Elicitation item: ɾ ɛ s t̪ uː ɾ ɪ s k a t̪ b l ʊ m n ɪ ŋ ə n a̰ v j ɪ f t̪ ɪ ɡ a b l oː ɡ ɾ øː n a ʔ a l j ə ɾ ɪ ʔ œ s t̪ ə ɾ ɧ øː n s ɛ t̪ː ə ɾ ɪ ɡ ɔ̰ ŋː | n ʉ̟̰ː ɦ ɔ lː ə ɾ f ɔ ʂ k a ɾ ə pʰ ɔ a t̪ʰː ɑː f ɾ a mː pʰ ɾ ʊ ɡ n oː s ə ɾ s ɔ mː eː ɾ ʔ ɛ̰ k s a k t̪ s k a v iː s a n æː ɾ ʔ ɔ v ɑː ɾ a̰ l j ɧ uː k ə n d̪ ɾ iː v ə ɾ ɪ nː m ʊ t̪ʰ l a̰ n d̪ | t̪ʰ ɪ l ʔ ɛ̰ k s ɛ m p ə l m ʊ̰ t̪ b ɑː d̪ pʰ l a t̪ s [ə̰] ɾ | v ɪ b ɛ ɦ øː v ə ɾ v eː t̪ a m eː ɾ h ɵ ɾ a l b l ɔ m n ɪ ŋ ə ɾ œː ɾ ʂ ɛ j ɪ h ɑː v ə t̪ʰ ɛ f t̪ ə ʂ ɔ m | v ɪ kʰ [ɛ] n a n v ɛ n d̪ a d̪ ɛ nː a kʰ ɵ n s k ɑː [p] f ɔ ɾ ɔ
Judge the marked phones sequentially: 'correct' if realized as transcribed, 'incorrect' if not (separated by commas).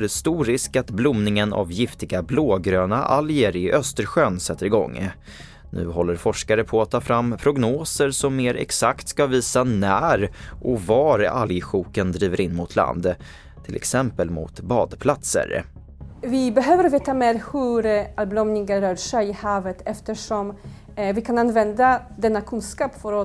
correct, incorrect, correct